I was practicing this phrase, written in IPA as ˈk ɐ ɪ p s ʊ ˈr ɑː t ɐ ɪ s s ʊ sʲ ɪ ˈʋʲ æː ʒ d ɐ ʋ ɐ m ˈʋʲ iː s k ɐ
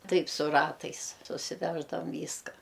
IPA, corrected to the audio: ˈt ɐ ɪ p s ʊ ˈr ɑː t ɐ ɪ s s ʊ sʲ ɪ ˈʋʲ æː ʒ d ɐ ʋ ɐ m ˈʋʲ iː s k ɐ